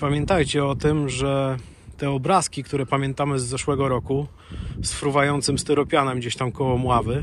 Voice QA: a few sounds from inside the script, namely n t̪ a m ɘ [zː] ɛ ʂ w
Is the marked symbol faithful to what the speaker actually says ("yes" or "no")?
yes